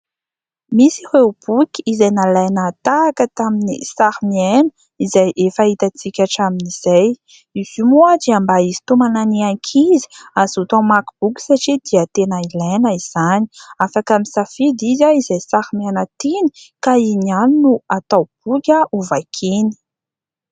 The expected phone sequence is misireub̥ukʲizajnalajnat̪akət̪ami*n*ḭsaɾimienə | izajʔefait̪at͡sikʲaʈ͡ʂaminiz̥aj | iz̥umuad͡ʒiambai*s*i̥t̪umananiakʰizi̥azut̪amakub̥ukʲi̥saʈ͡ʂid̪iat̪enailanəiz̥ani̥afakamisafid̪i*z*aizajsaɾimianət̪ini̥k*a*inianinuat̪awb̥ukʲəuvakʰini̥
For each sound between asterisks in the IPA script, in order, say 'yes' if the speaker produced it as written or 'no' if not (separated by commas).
yes, no, yes, yes